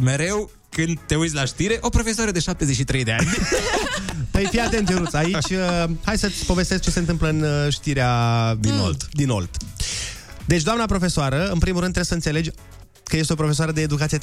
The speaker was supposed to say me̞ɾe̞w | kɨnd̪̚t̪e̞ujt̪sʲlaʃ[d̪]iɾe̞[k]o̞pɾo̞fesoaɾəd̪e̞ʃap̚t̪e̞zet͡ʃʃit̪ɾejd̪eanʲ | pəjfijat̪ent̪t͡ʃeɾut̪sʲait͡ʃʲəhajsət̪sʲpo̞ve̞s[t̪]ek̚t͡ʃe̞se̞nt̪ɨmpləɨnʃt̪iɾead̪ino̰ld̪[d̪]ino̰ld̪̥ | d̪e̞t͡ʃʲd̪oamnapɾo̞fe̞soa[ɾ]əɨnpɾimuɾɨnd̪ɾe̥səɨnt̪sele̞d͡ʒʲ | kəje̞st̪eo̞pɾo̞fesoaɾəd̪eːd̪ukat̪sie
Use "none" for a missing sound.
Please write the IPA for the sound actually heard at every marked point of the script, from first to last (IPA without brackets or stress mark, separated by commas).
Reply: t̪, ʔ, t̪, d̪, ɾ